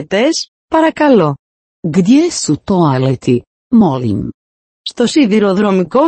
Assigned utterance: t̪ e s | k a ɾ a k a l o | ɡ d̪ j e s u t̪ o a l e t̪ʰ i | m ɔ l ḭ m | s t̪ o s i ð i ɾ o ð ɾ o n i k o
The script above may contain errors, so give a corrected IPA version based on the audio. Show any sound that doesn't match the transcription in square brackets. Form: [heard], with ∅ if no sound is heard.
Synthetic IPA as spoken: t̪ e s | [p] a ɾ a k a l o | ɡ d̪ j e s u t̪ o a l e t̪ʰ i | m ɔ l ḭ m | s t̪ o s i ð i ɾ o ð ɾ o [m] i k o